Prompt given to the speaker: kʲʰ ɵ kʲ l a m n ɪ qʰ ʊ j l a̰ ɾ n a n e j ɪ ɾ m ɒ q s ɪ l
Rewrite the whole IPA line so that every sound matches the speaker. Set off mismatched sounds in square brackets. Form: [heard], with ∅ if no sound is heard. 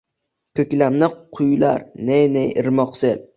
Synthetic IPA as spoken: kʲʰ ɵ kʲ l a m n ɪ qʰ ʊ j l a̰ ɾ n [e] n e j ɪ ɾ m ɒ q s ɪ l